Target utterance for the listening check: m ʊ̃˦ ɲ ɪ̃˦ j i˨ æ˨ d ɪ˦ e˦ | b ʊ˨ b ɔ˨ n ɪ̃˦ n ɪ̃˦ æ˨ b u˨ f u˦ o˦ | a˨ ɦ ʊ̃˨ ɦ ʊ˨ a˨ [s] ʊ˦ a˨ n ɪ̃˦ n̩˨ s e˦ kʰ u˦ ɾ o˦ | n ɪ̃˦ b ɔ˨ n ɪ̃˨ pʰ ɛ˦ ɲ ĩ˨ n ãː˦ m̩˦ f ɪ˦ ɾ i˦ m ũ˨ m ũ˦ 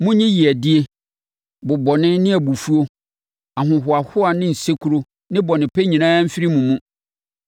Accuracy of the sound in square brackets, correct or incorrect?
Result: incorrect: h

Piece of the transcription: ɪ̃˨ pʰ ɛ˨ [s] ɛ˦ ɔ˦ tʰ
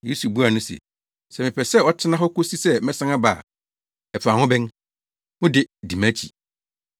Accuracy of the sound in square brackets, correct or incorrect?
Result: correct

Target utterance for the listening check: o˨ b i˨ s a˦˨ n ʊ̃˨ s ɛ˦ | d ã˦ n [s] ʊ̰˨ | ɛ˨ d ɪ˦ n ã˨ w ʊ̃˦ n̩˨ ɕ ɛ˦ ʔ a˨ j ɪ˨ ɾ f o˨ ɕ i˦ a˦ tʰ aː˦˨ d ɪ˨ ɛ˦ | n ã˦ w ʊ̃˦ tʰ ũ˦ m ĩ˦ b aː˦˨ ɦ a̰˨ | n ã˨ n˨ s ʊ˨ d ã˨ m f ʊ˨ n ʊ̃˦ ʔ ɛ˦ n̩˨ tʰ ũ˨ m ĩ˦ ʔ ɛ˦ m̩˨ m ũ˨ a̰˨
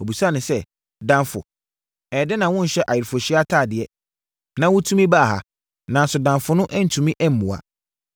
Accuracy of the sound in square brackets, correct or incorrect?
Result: incorrect: f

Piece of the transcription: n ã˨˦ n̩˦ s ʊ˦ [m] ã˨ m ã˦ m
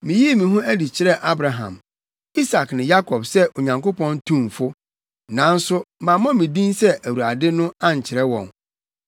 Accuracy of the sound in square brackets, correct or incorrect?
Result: correct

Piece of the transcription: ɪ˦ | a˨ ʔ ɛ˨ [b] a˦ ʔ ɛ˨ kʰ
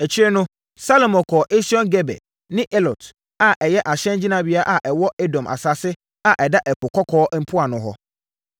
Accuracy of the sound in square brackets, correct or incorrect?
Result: incorrect: d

